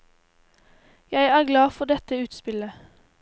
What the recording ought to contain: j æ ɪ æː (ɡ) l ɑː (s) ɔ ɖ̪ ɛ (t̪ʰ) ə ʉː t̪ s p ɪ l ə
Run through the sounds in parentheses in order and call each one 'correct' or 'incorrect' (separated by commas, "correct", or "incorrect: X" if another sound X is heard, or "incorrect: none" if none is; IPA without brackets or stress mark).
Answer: correct, incorrect: f, incorrect: t̪